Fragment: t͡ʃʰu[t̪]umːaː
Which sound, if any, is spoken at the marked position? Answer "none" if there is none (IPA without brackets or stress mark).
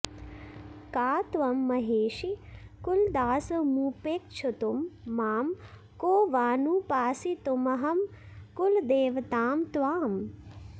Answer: t̪